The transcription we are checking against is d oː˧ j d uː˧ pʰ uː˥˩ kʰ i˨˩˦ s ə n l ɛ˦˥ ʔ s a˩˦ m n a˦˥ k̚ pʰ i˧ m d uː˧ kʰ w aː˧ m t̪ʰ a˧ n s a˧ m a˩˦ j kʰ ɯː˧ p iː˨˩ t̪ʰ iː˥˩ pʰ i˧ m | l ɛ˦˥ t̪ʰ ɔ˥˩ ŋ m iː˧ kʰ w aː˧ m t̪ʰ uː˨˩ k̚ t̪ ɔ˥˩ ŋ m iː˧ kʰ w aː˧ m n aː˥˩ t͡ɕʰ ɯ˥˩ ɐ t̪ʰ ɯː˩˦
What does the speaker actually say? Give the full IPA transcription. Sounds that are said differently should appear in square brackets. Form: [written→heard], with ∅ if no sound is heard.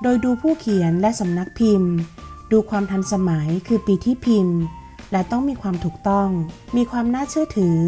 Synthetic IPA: d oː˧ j d uː˧ pʰ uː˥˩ kʰ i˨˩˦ [s→∅] ə n l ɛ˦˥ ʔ s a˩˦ m n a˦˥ k̚ pʰ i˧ m d uː˧ kʰ w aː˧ m t̪ʰ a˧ n s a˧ m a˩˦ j kʰ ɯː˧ p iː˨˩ t̪ʰ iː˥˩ pʰ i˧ m | l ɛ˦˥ [t̪ʰ→t̪] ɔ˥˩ ŋ m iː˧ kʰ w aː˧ m t̪ʰ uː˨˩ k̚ t̪ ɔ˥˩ ŋ m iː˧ kʰ w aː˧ m n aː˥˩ t͡ɕʰ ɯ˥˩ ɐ t̪ʰ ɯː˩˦